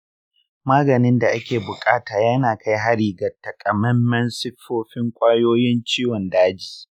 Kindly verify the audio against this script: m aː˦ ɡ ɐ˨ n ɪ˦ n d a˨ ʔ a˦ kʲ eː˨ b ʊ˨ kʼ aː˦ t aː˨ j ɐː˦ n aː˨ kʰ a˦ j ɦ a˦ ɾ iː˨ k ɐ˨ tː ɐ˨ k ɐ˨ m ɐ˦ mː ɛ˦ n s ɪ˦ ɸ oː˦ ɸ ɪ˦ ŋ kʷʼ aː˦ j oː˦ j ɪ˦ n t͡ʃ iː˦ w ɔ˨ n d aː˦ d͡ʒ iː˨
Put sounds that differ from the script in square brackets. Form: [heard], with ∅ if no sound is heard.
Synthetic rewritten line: m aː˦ ɡ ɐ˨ n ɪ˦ n d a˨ ʔ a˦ kʲ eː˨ b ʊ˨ kʼ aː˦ t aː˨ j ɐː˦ n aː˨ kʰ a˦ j ɦ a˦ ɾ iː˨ [ɡ] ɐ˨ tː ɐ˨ [kʼ] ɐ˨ m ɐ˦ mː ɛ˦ n s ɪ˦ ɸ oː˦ ɸ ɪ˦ ŋ kʷʼ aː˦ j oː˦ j ɪ˦ n t͡ʃ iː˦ w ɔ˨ n d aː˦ d͡ʒ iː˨